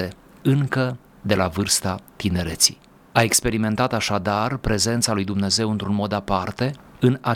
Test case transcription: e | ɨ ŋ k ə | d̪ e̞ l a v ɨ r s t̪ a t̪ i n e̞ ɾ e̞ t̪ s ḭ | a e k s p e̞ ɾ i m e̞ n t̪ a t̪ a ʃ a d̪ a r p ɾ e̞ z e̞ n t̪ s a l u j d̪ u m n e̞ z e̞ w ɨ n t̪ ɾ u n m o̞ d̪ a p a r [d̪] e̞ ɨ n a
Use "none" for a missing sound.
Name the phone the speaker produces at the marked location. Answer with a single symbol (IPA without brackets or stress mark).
t̪